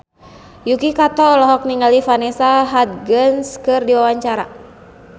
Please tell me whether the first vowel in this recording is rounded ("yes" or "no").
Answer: yes